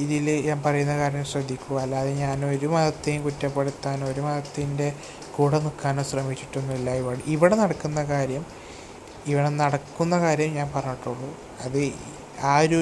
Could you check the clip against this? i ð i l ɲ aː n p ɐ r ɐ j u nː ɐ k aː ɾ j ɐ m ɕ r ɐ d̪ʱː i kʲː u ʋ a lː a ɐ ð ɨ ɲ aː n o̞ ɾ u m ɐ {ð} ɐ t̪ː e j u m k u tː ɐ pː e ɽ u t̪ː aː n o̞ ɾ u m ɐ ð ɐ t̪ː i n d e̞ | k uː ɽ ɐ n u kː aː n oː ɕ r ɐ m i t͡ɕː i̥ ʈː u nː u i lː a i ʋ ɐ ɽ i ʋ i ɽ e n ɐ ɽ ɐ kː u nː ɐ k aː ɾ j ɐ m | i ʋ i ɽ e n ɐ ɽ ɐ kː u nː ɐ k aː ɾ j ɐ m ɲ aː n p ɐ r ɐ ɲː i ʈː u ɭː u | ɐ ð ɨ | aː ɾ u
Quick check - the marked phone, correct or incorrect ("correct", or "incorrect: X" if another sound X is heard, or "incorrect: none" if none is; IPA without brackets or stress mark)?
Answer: correct